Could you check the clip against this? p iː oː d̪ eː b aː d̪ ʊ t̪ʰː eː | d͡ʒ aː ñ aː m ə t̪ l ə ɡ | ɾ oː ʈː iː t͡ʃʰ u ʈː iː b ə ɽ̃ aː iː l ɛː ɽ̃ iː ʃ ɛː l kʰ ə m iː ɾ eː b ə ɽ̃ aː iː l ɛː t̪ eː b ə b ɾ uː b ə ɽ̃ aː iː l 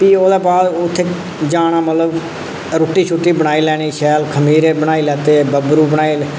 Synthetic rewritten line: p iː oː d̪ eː b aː d̪ ʊ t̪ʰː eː | d͡ʒ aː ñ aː m ə t̪ l ə b | ɾ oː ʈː iː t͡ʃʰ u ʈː iː b ə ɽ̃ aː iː l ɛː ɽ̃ iː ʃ ɛː l kʰ ə m iː ɾ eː b ə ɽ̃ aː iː l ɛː t̪ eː b ə b ɾ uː b ə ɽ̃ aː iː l